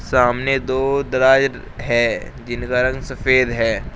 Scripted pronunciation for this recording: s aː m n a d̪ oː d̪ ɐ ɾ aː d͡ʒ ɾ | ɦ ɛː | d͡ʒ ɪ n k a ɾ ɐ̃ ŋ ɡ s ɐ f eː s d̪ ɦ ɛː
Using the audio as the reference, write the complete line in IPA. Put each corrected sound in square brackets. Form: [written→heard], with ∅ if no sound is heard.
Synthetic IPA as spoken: s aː m n [a→e] d̪ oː d̪ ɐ ɾ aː d͡ʒ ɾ | ɦ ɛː | d͡ʒ ɪ n k a ɾ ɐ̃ ŋ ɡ s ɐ f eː [s→∅] d̪ ɦ ɛː

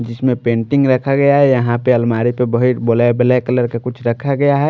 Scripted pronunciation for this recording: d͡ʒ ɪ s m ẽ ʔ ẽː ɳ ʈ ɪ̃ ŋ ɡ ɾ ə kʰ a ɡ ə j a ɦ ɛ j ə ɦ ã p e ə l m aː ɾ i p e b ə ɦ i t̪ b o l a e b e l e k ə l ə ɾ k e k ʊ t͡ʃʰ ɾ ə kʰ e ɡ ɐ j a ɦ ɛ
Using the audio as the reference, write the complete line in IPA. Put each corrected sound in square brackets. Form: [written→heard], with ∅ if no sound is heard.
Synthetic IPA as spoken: d͡ʒ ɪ s m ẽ [ʔ→p] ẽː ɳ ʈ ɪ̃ ŋ ɡ ɾ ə kʰ a ɡ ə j a ɦ ɛ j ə ɦ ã p e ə l m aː ɾ i p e b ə ɦ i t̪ b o l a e b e l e k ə l ə ɾ k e k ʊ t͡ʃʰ ɾ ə kʰ [e→a] ɡ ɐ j a ɦ ɛ

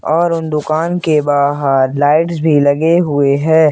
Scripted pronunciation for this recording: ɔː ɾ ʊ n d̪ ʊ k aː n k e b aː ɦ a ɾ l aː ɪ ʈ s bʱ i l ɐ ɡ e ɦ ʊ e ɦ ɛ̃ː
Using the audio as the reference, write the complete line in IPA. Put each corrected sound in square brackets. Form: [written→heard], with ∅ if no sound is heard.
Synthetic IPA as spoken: ɔː ɾ ʊ n d̪ ʊ k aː n k e b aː ɦ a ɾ l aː ɪ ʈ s bʱ i l ɐ ɡ e ɦ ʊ e ɦ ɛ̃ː

